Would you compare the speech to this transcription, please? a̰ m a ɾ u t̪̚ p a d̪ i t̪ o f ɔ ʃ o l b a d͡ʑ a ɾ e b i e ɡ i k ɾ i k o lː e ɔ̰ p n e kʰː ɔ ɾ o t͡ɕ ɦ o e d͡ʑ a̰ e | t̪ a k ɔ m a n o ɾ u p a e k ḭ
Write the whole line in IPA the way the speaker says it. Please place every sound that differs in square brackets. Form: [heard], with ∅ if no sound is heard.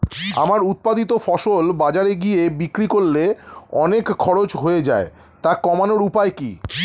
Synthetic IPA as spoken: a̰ m a ɾ u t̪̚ p a d̪ i t̪ o f ɔ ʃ o l b a d͡ʑ a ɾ e [ɡ] i e [b] i k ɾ i k o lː e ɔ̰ [∅] n e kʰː ɔ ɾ o t͡ɕ ɦ o e d͡ʑ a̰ e | t̪ a k ɔ m a n o ɾ u p a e k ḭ